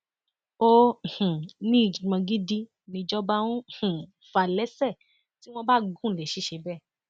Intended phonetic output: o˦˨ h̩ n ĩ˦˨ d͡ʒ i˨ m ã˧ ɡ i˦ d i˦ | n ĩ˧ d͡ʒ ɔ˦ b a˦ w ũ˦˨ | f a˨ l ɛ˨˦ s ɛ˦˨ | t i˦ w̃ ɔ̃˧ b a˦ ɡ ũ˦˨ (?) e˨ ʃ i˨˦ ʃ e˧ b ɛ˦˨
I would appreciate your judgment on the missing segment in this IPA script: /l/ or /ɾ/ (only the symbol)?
l